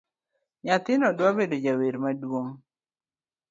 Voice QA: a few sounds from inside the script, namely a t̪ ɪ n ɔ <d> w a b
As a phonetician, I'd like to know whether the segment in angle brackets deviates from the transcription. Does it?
no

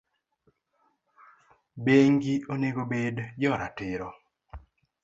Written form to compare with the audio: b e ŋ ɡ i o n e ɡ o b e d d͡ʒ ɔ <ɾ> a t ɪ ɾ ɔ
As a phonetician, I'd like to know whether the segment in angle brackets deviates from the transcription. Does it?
no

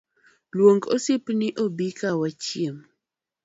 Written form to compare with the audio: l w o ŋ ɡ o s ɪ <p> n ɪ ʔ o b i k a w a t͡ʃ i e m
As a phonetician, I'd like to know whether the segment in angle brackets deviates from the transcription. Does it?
no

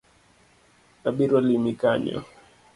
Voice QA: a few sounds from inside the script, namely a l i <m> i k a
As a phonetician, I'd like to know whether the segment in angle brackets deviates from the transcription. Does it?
no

